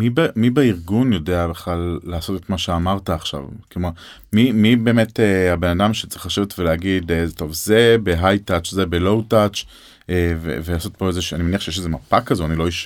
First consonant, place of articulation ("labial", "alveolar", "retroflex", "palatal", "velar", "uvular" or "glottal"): labial